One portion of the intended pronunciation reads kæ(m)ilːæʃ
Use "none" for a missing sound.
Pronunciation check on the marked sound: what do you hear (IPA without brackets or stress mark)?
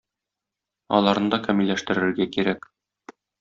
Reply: m